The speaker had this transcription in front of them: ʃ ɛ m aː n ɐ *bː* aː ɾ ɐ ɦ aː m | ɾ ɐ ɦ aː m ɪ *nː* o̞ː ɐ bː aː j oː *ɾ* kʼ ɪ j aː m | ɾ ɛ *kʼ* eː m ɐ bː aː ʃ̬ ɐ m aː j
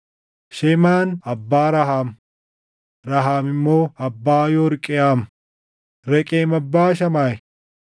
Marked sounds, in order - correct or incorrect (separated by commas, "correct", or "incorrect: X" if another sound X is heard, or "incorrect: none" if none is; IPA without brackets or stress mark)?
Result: correct, incorrect: mː, correct, correct